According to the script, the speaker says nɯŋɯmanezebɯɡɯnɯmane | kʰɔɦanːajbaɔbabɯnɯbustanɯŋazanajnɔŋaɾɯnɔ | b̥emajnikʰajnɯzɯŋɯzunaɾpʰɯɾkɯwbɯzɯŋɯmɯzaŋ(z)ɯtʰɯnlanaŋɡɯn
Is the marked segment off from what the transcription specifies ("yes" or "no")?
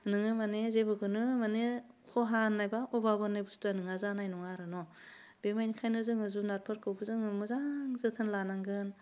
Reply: no